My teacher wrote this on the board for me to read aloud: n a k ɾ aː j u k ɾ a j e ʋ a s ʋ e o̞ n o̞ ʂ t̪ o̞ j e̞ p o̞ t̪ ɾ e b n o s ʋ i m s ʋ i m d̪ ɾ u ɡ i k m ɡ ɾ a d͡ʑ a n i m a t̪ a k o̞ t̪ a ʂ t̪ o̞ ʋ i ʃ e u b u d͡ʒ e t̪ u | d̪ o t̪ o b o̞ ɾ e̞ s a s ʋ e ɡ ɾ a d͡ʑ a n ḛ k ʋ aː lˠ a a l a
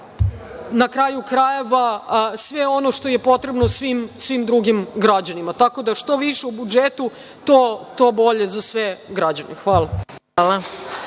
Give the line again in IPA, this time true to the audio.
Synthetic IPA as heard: n a k ɾ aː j u k ɾ a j e ʋ a s ʋ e o̞ n o̞ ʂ t̪ o̞ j e̞ p o̞ t̪ ɾ e b n o s ʋ i m s ʋ i m d̪ ɾ u ɡ i m ɡ ɾ a d͡ʑ a n i m a t̪ a k o̞ d̪ a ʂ t̪ o̞ ʋ i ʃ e u b u d͡ʒ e t̪ u | t̪ o t̪ o b o̞ ʎ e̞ z a s ʋ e ɡ ɾ a d͡ʑ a n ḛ x ʋ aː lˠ a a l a